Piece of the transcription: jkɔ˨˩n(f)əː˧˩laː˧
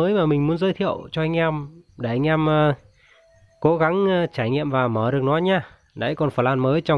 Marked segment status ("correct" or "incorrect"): correct